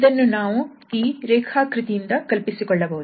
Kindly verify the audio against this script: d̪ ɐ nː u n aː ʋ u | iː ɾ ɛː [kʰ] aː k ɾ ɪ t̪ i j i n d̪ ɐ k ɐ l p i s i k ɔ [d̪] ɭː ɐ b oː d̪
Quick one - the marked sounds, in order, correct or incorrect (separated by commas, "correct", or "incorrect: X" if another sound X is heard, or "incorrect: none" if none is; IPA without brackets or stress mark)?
correct, incorrect: none